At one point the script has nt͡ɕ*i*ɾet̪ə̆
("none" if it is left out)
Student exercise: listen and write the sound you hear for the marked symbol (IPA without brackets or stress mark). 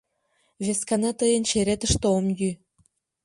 e